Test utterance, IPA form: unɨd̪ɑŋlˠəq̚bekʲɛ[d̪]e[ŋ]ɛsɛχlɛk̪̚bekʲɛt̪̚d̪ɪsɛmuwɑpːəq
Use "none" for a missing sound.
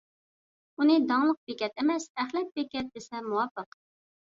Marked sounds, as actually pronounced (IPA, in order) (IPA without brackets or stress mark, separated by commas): t̪, m